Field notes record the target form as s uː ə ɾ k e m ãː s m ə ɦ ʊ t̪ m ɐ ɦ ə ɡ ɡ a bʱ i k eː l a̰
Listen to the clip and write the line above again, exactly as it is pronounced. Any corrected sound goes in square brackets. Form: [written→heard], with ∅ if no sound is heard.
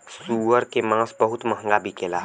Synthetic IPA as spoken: s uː ə ɾ k e m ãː s [m→b] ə ɦ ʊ t̪ m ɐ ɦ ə [ɡ→ŋ] ɡ a bʱ i k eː l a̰